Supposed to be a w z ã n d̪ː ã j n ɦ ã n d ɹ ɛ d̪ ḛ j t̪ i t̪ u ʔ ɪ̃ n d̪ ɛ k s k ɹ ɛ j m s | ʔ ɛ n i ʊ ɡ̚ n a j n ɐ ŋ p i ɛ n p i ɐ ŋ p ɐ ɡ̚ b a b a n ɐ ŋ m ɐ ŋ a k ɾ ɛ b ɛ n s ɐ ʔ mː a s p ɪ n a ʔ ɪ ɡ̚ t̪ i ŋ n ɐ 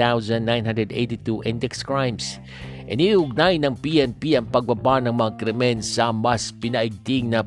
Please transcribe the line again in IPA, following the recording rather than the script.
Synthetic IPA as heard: a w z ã n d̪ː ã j n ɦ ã n d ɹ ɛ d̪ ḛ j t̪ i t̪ u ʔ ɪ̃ n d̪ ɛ k s k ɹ a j m s | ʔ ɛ n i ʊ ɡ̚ n a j n ɐ ŋ p i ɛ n p i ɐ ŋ p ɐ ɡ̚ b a b a n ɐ ŋ m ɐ ŋ a k ɾ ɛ m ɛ n s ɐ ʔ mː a s p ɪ n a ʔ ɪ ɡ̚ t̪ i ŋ n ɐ